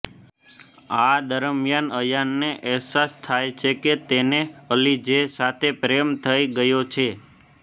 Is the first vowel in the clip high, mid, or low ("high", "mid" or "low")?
low